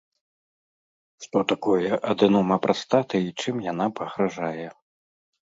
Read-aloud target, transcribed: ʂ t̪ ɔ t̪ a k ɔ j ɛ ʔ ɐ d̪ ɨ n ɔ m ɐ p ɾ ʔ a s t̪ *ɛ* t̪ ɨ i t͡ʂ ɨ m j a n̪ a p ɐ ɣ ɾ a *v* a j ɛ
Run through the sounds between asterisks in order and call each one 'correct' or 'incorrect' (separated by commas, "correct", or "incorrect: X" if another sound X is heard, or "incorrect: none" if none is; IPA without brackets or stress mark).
incorrect: a, incorrect: ʐ